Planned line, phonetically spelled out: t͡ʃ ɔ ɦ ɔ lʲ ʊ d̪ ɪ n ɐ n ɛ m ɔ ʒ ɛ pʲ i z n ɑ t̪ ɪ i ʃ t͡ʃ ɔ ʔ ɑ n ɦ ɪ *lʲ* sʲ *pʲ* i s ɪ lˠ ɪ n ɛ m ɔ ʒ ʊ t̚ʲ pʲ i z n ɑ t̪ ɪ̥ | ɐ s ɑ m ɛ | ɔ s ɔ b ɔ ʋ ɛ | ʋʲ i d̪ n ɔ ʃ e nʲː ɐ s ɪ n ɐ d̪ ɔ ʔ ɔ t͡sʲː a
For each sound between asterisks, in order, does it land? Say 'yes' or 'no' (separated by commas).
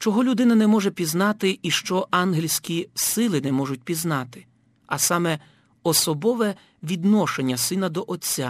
yes, no